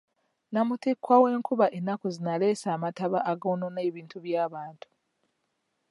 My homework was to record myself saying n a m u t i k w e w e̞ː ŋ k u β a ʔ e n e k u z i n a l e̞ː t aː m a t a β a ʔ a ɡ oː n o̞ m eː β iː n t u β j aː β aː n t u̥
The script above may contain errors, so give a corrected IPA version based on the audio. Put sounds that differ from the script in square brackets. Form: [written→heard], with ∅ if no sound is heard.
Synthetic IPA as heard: n a m u t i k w [e→a] w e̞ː ŋ k u β a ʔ e n [e→a] k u z i n a l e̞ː [t→s] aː m a t a β a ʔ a ɡ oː n o̞ [m→n] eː β iː n t u β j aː β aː n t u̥